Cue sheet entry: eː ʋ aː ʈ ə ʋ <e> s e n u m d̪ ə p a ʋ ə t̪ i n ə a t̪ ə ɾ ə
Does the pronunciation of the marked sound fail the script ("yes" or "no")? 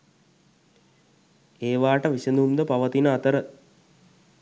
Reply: yes